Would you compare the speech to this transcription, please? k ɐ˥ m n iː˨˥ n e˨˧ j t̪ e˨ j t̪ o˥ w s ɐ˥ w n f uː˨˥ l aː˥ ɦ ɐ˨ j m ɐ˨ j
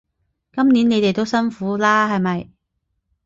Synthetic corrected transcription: k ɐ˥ m n iː˨˥ n e˨˧ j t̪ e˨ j t̪ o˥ w s ɐ˥ n f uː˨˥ l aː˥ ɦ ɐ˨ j m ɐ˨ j

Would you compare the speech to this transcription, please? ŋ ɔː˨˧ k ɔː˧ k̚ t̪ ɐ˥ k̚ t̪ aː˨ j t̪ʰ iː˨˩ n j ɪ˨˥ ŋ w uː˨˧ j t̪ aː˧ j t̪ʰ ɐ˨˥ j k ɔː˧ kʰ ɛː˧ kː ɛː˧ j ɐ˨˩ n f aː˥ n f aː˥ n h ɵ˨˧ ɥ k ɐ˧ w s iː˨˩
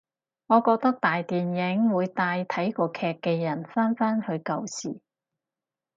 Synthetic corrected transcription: ŋ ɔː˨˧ k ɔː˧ k̚ t̪ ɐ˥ k̚ t̪ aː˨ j t̪ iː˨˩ n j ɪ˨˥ ŋ w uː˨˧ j t̪ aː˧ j t̪ʰ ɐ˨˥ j k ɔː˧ kʰ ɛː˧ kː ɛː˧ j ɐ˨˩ n f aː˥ n f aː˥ n h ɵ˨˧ ɥ k ɐ˧ w s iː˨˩

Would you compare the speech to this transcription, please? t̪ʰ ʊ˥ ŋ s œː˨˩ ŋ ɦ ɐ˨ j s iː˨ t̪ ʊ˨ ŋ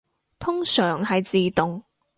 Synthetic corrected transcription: t̪ʰ ʊ˥ ŋ s œː˨˩ ŋ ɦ ɐ˨ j t͡s iː˨ t̪ ʊ˨ ŋ

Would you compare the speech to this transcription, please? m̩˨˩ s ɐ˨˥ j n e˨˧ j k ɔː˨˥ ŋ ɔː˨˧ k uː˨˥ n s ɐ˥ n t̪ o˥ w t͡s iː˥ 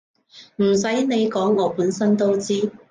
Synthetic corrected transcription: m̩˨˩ s ɐ˨˥ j n e˨˧ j k ɔː˨˥ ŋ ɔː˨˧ p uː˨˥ n s ɐ˥ n t̪ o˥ w t͡s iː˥

